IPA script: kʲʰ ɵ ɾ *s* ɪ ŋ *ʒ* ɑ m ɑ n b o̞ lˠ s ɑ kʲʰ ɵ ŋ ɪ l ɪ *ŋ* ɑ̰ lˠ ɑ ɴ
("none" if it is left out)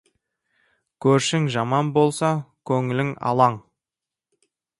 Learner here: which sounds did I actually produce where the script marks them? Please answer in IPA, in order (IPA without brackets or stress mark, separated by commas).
ʃ, ʒ, ŋ